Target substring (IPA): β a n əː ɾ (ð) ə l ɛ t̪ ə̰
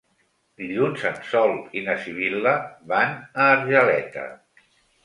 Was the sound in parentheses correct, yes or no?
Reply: no